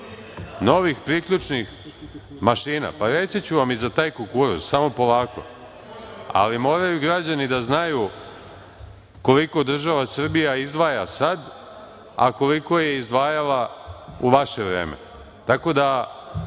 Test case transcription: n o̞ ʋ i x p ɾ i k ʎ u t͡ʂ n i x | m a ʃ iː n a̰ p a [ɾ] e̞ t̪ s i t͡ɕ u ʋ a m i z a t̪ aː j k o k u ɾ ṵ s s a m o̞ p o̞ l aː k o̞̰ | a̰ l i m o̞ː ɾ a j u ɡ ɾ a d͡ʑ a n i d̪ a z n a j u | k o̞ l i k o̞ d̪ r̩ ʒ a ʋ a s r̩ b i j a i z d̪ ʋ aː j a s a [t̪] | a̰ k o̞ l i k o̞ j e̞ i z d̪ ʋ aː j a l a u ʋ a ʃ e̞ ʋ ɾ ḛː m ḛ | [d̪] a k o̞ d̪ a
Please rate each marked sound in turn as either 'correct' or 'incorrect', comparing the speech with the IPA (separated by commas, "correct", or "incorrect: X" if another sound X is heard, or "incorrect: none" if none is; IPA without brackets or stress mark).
correct, incorrect: d̪, incorrect: t̪